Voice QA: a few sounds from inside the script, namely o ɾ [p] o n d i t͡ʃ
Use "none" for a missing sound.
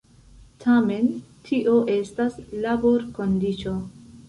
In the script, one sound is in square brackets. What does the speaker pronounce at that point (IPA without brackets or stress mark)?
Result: k